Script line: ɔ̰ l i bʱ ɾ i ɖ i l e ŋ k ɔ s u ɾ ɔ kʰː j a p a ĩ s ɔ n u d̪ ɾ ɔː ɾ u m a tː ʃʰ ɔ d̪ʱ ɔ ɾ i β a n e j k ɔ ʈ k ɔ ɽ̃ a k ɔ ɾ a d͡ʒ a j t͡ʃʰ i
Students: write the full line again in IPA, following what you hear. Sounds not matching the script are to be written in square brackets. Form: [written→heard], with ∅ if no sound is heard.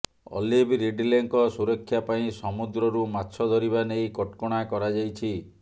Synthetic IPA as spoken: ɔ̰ l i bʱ ɾ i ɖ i l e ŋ k ɔ s u ɾ ɔ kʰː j a p a ĩ s ɔ [n→m] u d̪ ɾ [ɔː→ɔ] ɾ u m a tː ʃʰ ɔ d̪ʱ ɔ ɾ i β a n e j k ɔ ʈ k ɔ ɽ̃ a k ɔ ɾ a d͡ʒ a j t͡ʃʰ i